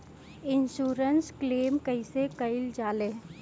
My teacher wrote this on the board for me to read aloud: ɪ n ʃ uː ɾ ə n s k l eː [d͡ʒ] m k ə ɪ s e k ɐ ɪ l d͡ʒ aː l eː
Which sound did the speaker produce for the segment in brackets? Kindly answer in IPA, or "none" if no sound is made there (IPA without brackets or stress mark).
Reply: none